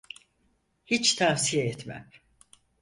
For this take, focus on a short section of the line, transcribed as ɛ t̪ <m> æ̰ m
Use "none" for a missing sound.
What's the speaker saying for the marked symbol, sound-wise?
m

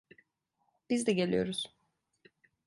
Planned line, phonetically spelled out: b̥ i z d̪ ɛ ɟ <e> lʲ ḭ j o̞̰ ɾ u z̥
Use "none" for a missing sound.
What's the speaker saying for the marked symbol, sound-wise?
e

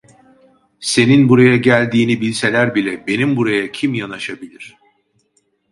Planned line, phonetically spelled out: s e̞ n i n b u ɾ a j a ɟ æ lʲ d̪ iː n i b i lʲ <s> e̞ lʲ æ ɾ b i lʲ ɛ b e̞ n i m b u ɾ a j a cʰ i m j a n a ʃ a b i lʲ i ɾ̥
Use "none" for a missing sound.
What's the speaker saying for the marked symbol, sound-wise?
s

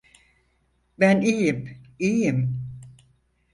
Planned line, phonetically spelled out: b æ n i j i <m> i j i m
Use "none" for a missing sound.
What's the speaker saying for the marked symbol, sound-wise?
m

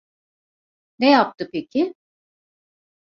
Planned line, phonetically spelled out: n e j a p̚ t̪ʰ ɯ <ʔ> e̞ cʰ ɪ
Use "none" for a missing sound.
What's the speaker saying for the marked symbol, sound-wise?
p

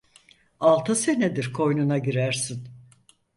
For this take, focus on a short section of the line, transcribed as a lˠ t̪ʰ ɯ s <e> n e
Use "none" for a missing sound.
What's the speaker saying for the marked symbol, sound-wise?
e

